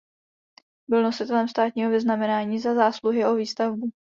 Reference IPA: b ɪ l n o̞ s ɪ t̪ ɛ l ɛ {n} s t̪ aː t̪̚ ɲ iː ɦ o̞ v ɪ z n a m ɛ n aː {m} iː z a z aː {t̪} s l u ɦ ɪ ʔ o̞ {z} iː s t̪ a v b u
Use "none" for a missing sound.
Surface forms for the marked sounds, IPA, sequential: m, ɲ, none, v

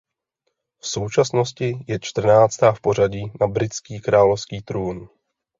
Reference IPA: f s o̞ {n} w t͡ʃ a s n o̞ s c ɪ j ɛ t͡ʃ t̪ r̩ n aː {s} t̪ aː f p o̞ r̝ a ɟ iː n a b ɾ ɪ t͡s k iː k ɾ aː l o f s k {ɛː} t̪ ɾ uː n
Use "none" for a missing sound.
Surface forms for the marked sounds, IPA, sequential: none, t͡s, iː

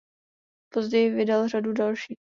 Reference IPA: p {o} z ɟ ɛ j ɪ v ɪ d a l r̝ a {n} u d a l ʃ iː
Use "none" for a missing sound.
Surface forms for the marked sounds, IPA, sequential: o, d

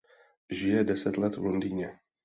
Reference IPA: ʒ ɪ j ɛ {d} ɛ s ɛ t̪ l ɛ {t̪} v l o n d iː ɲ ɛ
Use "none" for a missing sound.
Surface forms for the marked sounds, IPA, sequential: d, t̪

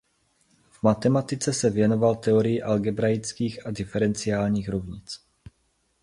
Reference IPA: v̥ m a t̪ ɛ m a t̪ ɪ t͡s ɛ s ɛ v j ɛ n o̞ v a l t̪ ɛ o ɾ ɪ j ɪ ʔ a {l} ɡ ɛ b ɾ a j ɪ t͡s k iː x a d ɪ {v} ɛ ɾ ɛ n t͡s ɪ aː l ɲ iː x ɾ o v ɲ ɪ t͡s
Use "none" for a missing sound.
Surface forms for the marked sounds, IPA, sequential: l, f

